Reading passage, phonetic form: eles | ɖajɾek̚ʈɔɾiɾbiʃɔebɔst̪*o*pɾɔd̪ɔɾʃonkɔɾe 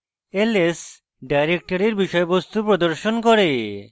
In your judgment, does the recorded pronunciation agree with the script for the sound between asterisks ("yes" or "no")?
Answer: no